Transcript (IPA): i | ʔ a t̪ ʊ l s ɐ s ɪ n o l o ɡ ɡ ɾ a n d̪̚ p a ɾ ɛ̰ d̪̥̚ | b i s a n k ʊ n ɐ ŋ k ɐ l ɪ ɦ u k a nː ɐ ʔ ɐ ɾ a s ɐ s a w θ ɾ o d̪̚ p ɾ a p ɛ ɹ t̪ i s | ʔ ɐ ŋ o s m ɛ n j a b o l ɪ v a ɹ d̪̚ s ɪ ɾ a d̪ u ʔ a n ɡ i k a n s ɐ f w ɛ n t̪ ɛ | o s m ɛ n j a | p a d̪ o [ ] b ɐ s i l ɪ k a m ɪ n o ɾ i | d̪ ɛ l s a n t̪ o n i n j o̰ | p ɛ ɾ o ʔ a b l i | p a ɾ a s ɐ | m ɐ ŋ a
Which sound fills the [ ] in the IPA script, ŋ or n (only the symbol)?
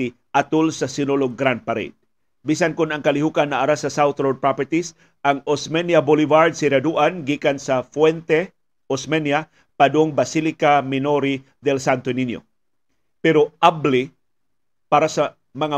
ŋ